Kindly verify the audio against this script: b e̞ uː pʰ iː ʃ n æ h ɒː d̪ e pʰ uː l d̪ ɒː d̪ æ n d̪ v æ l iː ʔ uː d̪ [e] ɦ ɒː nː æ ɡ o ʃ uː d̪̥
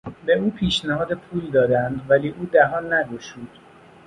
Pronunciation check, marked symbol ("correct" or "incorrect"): incorrect